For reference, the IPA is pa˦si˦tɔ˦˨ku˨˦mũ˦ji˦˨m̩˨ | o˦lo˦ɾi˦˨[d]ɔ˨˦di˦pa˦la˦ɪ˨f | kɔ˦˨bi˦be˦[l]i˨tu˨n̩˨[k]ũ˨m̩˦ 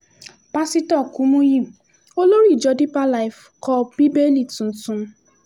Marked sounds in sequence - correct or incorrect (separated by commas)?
incorrect, correct, incorrect